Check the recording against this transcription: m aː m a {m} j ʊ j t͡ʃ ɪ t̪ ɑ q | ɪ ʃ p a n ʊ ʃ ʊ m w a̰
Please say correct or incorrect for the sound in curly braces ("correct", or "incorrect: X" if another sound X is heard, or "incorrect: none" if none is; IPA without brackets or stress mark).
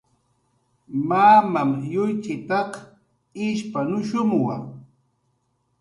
correct